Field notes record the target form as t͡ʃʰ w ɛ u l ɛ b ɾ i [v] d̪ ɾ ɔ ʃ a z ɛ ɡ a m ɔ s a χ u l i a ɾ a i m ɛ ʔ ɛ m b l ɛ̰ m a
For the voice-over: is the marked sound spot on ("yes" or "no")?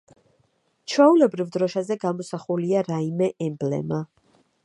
yes